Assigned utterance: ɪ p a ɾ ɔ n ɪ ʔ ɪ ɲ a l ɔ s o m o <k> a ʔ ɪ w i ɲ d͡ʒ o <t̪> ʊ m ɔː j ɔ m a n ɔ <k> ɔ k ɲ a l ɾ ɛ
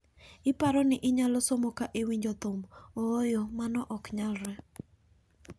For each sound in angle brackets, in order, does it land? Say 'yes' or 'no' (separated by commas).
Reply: yes, yes, no